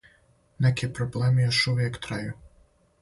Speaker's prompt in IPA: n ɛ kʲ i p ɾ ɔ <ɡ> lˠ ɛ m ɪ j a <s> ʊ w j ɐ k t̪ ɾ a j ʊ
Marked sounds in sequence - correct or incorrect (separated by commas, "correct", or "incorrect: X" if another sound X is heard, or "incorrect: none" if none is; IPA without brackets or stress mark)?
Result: incorrect: b, incorrect: ʃ